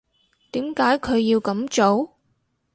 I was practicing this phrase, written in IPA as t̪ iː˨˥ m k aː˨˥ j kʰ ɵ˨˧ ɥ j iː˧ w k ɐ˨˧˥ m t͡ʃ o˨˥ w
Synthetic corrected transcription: t̪ iː˨˥ m k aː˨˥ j kʰ ɵ˨˧ ɥ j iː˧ w k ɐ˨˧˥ m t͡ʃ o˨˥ w